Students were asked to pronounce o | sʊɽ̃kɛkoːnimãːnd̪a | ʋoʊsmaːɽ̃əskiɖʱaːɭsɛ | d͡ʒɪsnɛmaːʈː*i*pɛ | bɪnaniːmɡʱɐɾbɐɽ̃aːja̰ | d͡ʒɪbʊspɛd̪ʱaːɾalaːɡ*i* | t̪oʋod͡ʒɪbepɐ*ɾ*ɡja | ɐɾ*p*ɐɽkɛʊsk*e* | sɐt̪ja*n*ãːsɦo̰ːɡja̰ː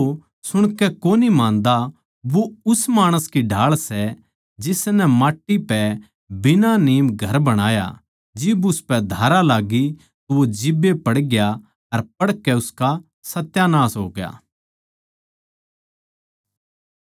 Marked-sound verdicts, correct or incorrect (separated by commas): correct, correct, incorrect, correct, incorrect, correct